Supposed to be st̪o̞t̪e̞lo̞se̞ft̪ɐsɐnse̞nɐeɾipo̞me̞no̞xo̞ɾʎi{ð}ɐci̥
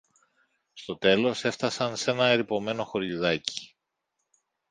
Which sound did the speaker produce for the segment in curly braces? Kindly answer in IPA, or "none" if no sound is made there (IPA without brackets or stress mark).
ð